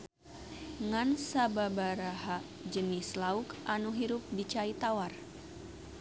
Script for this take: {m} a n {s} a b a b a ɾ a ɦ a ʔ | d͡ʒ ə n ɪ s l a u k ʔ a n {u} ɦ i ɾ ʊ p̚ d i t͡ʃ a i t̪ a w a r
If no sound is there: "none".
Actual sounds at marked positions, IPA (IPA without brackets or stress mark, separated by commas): ŋ, s, u